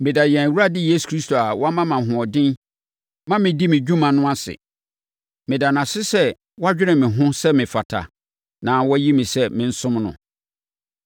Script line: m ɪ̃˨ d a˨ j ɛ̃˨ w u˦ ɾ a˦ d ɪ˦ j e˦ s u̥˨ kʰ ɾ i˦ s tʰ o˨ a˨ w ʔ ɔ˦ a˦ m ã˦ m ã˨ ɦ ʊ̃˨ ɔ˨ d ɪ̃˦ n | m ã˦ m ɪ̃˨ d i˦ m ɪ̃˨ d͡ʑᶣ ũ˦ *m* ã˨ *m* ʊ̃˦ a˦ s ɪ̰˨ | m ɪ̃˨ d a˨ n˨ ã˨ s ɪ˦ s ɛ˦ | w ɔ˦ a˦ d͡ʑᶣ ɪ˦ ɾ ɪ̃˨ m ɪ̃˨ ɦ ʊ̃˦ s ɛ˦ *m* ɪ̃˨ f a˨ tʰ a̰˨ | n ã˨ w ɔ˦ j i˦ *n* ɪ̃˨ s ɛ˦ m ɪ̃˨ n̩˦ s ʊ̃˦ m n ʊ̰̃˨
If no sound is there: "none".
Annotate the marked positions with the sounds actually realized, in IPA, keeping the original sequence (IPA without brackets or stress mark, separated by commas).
m, n, m, m